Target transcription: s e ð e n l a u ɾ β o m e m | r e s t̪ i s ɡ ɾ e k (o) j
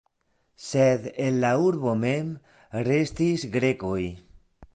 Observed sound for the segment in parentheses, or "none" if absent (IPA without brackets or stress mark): o